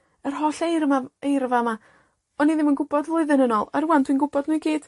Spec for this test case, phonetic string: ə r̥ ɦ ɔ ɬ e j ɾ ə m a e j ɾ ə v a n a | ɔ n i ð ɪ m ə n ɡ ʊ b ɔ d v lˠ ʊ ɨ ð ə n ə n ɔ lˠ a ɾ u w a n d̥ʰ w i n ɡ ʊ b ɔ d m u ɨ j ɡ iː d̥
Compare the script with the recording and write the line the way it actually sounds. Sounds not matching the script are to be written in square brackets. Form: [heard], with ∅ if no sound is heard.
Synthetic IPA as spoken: ə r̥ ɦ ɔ ɬ e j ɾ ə m a e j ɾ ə v a [m] a | ɔ n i ð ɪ m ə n ɡ ʊ b ɔ d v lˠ ʊ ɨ ð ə n ə n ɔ lˠ a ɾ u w a n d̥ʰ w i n ɡ ʊ b ɔ d [n] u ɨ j ɡ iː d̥